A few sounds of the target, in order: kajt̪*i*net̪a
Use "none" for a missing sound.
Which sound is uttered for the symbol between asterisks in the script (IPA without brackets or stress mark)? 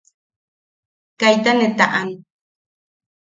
a